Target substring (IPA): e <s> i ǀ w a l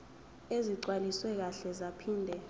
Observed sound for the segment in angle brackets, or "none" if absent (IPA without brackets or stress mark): z